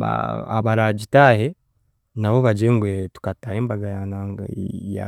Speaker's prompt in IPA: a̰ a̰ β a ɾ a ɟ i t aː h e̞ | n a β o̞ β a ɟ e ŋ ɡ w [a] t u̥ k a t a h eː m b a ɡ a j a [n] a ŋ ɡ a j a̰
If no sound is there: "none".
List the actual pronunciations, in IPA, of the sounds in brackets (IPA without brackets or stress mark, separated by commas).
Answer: e, n